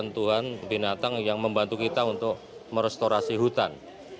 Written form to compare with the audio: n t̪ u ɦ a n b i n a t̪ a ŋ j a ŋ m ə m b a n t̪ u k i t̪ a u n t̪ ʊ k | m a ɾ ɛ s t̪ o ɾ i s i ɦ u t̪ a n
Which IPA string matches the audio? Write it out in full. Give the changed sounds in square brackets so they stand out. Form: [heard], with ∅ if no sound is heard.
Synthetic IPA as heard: n t̪ u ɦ a n b i n a t̪ a ŋ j a ŋ m ə m b a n t̪ u k i t̪ a u n t̪ ʊ k | m [ə] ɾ ɛ s t̪ o ɾ [a] s i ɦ u t̪ a n